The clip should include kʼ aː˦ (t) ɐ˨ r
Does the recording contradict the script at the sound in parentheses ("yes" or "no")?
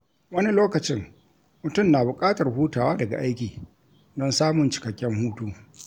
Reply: no